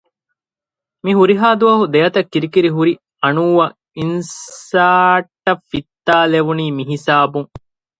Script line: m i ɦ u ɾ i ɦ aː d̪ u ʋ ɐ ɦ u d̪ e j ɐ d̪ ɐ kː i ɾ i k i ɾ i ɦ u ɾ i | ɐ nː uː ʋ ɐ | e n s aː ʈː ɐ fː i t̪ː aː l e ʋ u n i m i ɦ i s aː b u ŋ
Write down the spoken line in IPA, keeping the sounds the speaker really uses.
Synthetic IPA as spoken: m i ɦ u ɾ i ɦ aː d̪ u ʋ ɐ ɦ u d̪ e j ɐ t̪ ɐ kː i ɾ i k i ɾ i ɦ u ɾ i | ɐ n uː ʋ ɐ | i n s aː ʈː ɐ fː i t̪ː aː l e ʋ u n iː m i ɦ i s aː b u ŋ